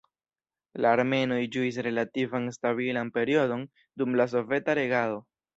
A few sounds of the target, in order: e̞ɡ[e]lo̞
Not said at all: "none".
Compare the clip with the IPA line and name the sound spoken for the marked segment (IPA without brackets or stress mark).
a